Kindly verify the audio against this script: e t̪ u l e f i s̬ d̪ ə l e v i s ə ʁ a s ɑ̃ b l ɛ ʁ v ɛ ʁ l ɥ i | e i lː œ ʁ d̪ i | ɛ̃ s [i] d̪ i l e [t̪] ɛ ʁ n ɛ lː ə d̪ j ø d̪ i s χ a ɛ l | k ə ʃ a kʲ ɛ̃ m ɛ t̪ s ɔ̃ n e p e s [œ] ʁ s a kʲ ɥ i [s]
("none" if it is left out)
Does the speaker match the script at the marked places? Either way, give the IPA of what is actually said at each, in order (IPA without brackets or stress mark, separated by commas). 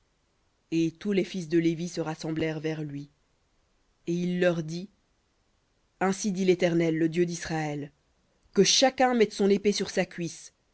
i, t̪, y, s